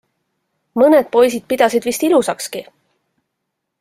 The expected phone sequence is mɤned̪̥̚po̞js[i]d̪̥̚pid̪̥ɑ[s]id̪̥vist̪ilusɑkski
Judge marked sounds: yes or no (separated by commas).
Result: yes, yes